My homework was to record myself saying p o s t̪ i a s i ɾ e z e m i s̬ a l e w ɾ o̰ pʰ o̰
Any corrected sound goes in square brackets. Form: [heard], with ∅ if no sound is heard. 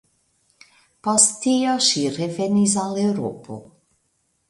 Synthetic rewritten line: p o s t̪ i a [ʃ] i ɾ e [v] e [n] i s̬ a l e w ɾ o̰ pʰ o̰